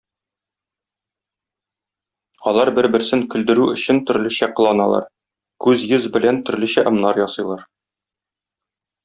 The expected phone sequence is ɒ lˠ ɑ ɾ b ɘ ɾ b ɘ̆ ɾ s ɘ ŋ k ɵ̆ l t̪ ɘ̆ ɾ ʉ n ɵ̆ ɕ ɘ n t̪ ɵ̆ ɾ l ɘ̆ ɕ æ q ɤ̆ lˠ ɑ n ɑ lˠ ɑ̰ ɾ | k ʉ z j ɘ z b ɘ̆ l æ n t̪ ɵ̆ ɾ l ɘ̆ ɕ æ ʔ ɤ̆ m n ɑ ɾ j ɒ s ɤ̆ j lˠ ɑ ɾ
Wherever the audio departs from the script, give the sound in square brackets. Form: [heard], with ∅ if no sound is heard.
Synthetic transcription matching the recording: ɒ lˠ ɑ ɾ b ɘ ɾ b ɘ̆ ɾ s ɘ ŋ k ɵ̆ l [d̪] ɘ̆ ɾ ʉ [∅] ɵ̆ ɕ ɘ n t̪ ɵ̆ ɾ l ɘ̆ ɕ æ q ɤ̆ lˠ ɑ n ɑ lˠ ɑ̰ ɾ | k ʉ z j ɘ z b ɘ̆ l æ n t̪ ɵ̆ ɾ l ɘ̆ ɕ æ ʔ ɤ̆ m n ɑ ɾ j ɒ s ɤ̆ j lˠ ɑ ɾ